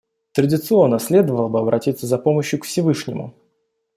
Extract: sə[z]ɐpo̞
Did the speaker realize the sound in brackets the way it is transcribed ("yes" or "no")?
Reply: yes